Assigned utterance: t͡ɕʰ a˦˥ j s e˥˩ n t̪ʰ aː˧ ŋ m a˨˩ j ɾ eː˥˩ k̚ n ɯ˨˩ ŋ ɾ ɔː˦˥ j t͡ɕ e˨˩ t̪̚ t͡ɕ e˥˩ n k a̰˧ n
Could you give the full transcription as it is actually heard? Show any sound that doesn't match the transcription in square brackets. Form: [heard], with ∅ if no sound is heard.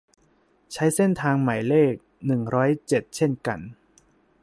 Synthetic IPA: t͡ɕʰ a˦˥ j s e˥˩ n t̪ʰ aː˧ ŋ m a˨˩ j [l] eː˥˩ k̚ n ɯ˨˩ ŋ ɾ ɔː˦˥ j t͡ɕ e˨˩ t̪̚ [t͡ɕʰ] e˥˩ n k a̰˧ n